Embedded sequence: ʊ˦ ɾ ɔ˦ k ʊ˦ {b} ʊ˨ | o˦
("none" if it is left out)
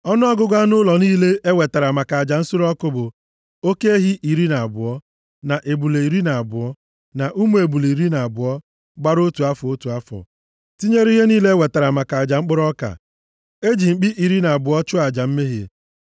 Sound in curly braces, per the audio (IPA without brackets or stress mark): b